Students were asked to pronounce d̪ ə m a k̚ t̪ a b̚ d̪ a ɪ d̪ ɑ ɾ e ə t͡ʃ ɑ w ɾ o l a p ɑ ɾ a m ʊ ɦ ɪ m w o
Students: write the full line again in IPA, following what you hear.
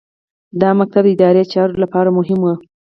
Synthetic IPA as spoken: d̪ ɑ m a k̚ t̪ a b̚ d̪ ə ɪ d̪ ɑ ɾ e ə t͡ʃ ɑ ɾ o l a p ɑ ɾ a m ʊ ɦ ɪ m w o